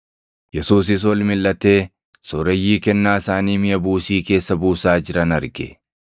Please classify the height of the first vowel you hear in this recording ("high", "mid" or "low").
mid